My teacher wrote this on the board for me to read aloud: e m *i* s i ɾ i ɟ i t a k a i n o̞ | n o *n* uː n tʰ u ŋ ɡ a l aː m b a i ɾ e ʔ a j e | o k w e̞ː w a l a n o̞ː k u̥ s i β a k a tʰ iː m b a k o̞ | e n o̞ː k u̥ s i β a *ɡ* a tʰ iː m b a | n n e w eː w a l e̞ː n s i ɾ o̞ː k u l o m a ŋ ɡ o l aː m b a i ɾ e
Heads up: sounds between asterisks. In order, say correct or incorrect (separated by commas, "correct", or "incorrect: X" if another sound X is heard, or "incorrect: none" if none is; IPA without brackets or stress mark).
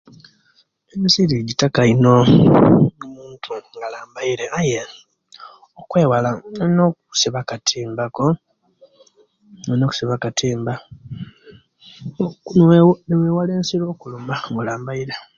correct, incorrect: m, incorrect: k